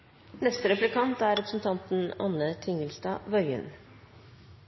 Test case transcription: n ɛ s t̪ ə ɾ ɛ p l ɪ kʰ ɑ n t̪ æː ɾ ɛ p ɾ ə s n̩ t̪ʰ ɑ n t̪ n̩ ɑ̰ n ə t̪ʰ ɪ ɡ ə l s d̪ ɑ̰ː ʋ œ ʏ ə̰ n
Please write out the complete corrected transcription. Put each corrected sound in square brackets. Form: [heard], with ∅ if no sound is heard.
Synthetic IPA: n ɛ s t̪ ə ɾ ɛ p l ɪ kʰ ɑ n t̪ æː ɾ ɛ p ɾ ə s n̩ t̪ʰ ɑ n t̪ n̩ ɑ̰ n ə t̪ʰ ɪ [ŋ] ə l s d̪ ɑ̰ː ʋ œ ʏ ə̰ n